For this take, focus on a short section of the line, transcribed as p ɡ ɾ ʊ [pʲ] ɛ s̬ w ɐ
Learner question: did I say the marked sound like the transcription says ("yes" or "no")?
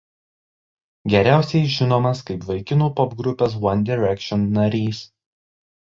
yes